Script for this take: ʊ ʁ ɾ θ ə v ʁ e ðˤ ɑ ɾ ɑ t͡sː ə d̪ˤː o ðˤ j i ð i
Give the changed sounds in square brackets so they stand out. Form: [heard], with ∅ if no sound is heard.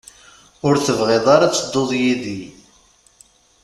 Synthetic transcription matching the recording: ʊ [∅] ɾ θ ə v ʁ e ðˤ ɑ ɾ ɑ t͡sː ə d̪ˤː o ðˤ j i ð i